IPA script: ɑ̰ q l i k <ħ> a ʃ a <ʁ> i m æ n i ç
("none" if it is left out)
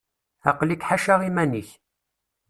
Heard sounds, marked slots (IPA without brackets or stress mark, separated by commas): ħ, ʁ